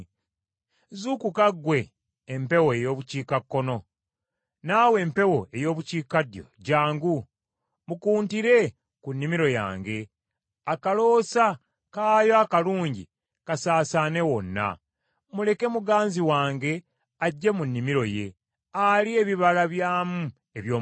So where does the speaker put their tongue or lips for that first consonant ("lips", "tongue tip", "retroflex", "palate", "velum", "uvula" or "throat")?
tongue tip